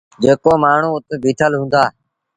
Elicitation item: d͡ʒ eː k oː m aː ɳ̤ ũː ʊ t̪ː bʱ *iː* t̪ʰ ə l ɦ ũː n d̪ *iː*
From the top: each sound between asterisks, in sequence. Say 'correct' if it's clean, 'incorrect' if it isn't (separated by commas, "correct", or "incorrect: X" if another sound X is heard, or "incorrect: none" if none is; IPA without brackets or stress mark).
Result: correct, incorrect: aː